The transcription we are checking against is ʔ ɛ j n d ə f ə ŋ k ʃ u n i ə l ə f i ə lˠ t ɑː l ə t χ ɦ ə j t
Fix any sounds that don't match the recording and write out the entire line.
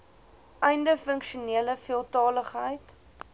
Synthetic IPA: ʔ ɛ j n d ə f ə ŋ k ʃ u n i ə l ə f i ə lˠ t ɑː l ə χ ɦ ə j t